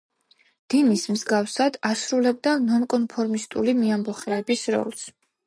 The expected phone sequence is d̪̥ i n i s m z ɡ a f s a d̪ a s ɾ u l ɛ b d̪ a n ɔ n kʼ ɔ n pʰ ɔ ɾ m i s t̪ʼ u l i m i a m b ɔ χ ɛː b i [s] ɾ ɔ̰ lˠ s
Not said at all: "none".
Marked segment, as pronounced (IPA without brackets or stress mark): s